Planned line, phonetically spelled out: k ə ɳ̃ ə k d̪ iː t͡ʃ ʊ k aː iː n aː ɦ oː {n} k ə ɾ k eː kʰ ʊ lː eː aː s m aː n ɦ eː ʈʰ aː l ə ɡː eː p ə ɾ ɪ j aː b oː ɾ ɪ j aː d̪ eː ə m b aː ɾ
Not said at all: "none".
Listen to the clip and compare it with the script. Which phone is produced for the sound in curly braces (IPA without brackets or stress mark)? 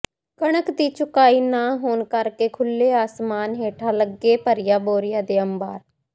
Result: n